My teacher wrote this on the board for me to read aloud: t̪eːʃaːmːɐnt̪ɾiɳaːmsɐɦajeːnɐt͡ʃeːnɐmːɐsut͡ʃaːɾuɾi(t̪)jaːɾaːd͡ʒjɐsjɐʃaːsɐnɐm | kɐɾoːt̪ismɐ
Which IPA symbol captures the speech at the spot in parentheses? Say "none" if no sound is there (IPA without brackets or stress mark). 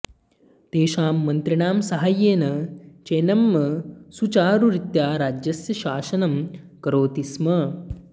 t̪